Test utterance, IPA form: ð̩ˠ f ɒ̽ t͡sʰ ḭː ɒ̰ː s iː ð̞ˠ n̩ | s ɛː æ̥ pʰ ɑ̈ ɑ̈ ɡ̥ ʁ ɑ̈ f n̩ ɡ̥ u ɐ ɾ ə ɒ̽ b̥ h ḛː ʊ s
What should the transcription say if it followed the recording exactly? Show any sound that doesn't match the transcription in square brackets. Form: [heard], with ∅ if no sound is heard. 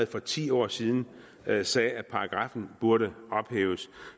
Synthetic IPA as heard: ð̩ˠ f ɒ̽ t͡sʰ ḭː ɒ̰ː s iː ð̞ˠ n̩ | s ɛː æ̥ pʰ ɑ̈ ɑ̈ ɡ̥ ʁ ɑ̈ f n̩ [b̥] u ɐ ɾ ə ɒ̽ b̥ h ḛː ʊ s